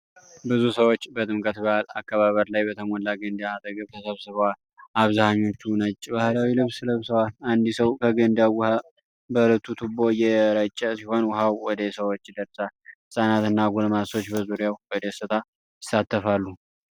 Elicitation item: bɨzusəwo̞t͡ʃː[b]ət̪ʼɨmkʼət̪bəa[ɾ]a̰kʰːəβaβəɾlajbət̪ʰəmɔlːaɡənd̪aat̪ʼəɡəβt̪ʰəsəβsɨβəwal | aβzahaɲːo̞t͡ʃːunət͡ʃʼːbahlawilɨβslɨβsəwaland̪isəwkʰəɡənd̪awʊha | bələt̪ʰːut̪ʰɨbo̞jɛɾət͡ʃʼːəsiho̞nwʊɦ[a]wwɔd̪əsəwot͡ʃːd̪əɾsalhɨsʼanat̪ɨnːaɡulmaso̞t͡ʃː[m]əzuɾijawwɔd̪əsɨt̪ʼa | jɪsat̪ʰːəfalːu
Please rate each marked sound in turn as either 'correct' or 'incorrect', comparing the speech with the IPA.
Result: correct, incorrect: l, correct, incorrect: b

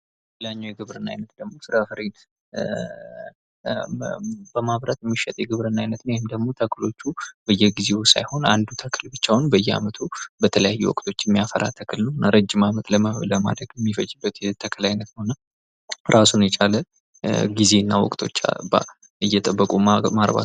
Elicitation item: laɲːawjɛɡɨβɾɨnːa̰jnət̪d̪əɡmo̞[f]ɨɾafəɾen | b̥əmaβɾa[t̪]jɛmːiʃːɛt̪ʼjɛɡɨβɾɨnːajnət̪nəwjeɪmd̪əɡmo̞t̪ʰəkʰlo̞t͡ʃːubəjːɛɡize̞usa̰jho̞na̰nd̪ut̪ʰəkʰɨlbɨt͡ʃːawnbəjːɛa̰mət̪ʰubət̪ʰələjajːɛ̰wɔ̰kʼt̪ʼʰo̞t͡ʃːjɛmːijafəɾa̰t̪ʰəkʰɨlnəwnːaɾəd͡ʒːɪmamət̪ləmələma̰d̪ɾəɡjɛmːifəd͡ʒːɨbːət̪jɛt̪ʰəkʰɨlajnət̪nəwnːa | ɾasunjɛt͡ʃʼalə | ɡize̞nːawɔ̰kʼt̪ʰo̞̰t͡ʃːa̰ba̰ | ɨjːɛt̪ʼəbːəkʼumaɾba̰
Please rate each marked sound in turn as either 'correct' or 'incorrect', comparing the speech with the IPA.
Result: incorrect: s, correct

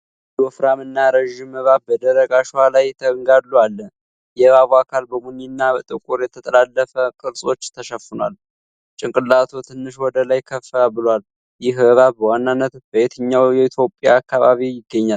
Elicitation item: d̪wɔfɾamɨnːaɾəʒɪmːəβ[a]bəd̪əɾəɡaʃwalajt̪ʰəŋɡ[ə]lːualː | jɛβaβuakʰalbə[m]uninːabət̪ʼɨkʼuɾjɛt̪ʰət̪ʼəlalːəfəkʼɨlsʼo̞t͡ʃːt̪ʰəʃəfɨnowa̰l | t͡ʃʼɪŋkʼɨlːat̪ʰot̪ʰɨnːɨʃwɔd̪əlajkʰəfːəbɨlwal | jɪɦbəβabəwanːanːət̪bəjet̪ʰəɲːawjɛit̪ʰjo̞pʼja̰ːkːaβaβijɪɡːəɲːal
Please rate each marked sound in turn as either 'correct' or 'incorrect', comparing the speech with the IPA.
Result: correct, incorrect: a, correct

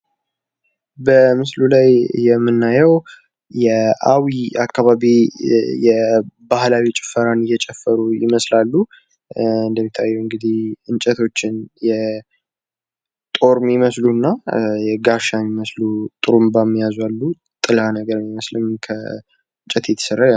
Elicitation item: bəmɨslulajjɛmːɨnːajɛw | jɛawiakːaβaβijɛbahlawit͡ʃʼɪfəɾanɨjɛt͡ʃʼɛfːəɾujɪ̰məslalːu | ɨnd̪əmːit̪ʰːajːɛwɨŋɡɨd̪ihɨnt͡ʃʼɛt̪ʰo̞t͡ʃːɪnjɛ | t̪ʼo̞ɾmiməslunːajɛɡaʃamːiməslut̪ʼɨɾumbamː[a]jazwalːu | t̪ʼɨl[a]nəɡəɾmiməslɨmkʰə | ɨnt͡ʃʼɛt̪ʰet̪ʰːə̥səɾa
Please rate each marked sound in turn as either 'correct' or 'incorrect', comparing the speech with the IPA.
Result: incorrect: i, correct

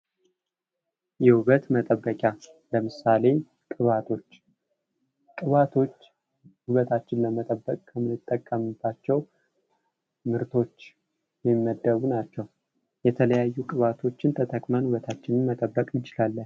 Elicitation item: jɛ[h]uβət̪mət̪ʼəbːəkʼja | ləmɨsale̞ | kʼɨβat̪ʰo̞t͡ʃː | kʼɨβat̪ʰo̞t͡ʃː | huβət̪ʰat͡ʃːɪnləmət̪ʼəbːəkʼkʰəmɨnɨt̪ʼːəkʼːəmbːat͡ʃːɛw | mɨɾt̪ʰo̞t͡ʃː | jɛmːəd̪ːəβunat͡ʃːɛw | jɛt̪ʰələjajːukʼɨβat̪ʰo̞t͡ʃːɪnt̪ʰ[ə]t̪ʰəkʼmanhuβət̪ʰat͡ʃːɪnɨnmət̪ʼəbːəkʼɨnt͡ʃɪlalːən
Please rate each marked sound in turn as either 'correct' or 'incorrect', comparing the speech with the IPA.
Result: correct, correct

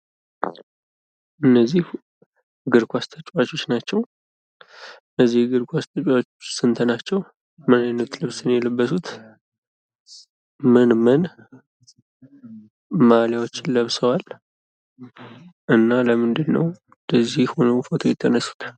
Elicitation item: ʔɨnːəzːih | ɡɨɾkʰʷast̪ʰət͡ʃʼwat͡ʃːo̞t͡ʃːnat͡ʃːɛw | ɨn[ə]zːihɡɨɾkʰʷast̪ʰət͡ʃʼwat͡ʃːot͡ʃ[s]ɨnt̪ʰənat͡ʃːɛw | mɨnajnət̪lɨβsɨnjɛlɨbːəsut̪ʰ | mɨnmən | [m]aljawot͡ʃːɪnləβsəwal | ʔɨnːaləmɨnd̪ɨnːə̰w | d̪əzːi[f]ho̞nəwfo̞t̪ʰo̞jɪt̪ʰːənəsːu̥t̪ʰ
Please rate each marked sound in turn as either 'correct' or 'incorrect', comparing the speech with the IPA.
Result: correct, correct, correct, incorrect: h

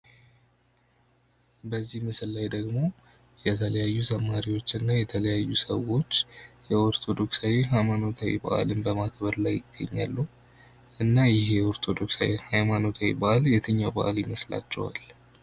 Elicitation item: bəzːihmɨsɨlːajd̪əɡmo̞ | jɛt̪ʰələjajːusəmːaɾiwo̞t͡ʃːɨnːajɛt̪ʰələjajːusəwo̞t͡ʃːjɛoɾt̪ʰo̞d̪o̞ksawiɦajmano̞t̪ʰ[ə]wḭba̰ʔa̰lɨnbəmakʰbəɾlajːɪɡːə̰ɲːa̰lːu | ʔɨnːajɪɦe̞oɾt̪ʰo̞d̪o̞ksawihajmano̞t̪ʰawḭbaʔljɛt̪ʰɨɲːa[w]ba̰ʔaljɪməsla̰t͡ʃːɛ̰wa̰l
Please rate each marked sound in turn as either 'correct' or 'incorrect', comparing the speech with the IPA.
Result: incorrect: a, correct

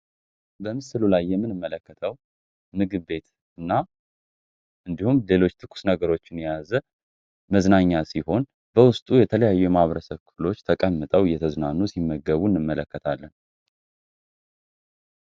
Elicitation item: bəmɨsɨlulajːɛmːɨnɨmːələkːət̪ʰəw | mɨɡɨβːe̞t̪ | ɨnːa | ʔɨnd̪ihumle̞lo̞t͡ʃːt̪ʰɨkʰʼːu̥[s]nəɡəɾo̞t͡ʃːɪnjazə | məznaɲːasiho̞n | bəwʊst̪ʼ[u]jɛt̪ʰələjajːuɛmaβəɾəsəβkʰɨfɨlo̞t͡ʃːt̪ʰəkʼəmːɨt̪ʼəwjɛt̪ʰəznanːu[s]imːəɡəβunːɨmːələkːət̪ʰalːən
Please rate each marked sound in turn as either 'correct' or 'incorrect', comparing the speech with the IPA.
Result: correct, correct, correct

